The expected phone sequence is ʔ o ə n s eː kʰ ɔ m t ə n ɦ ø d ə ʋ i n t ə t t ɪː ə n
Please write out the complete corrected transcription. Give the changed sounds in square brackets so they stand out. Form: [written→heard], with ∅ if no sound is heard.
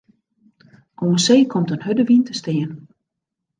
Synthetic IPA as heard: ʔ o ə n s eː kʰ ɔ m t ə n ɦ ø d ə ʋ i n t ə [t→s] t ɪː ə n